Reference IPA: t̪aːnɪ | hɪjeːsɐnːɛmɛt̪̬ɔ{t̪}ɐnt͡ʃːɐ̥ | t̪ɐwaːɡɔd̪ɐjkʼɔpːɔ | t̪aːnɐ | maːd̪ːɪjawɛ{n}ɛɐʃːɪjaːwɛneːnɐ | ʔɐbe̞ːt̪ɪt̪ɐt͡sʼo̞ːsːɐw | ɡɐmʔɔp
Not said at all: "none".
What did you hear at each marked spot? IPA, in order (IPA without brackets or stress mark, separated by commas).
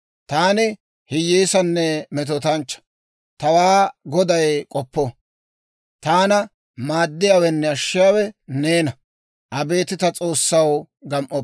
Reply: t̪, nː